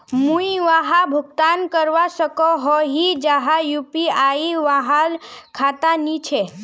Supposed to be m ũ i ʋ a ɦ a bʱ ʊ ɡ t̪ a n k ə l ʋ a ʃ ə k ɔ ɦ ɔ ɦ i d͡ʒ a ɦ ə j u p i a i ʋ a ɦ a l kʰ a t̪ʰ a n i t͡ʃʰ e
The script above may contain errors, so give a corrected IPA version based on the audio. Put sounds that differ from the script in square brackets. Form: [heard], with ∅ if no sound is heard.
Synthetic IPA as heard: m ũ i ʋ a ɦ a bʱ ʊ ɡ t̪ a n k ə [ɾ] ʋ a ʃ ə k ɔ ɦ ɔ ɦ i d͡ʒ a ɦ [a] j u p i a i ʋ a ɦ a l kʰ a [t̪] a n i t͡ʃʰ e